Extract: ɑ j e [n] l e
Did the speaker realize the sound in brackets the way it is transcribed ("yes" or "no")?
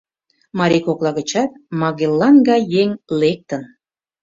no